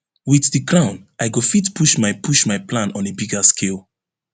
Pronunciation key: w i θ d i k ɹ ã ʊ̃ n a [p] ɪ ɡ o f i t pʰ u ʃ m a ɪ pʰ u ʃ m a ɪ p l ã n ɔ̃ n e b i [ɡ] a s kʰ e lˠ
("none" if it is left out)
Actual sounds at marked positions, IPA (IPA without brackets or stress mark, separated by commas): none, ɡ